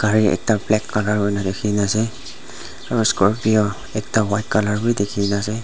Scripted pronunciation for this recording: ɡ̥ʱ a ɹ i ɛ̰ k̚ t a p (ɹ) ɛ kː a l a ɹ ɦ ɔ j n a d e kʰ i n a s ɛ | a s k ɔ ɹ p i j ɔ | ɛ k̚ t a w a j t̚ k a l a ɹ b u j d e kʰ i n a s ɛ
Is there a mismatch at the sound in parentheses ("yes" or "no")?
yes